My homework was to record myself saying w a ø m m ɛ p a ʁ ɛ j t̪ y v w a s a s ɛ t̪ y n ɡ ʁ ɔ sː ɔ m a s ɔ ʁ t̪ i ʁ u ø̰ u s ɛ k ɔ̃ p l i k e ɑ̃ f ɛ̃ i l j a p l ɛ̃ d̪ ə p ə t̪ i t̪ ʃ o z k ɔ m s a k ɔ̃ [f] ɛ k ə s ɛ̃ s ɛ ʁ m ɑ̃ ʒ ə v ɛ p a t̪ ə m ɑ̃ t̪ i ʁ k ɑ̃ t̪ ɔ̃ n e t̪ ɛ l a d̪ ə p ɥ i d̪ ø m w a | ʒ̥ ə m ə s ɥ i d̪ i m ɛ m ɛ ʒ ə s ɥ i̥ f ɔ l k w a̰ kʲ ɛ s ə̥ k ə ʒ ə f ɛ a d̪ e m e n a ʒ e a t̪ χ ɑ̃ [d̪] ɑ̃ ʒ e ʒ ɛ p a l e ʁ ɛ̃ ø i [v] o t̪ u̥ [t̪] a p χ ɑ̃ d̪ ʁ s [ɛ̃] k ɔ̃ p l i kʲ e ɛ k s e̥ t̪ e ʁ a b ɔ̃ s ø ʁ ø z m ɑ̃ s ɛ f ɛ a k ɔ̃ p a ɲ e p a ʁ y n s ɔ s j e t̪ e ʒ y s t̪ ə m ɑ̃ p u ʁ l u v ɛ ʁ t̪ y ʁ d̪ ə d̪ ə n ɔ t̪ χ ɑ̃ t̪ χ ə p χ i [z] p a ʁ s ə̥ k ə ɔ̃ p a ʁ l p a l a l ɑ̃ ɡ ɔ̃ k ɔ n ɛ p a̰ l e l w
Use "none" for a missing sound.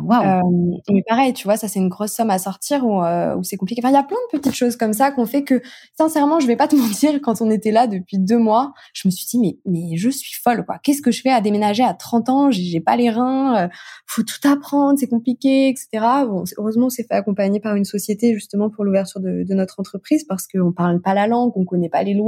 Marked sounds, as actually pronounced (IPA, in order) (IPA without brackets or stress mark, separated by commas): f, t̪, f, t̪, ɛ, z